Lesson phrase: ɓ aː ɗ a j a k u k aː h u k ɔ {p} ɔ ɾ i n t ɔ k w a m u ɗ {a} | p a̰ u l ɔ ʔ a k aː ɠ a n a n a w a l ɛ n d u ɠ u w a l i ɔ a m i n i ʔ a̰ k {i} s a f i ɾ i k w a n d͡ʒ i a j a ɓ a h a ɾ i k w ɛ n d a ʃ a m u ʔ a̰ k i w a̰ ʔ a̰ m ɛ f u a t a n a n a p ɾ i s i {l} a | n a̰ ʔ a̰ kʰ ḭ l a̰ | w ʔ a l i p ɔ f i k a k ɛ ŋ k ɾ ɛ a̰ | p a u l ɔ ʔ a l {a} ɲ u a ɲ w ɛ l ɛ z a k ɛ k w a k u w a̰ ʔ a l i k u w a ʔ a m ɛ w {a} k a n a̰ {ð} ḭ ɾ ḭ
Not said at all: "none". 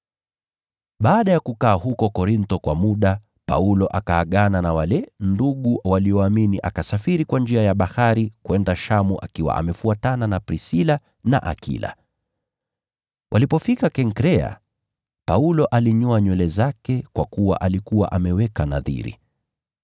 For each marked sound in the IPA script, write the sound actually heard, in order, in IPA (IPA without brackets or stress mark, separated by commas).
k, a, a, l, i, ɛ, ð